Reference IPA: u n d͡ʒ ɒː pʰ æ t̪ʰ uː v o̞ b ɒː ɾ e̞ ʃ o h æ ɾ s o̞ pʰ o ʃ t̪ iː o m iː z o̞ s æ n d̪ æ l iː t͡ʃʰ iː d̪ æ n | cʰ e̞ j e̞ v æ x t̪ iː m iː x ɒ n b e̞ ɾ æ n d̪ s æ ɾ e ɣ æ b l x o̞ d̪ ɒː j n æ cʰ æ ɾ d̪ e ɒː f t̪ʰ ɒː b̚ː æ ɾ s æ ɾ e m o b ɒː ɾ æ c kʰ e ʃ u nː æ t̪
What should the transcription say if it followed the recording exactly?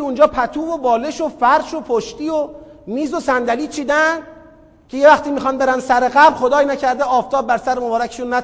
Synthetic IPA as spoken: u n d͡ʒ ɒː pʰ æ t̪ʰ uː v o̞ b ɒː l e̞ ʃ o f æ ɾ ʃ o̞ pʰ o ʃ t̪ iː o m iː z o̞ s æ n d̪ æ l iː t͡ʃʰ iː d̪ æ n | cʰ e̞ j e̞ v æ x t̪ iː m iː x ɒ n b e̞ ɾ æ n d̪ s æ ɾ e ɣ æ b l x o̞ d̪ ɒː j n æ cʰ æ ɾ d̪ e ɒː f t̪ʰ ɒː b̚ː æ ɾ s æ ɾ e m o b ɒː ɾ æ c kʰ e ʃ u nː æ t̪